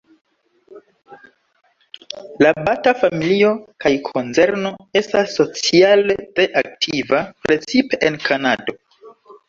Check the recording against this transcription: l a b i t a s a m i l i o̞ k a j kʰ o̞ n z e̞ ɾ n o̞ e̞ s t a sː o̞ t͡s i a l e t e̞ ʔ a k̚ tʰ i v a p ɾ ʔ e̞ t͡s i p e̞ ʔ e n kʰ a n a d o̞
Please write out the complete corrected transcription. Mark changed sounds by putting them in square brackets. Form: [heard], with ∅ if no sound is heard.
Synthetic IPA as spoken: l a b [a] t a [f] a m i l i o̞ k a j kʰ o̞ n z e̞ ɾ n o̞ e̞ s t a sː o̞ t͡s i a l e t e̞ ʔ a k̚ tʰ i v a p ɾ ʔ e̞ t͡s i p e̞ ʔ e n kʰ a n a d o̞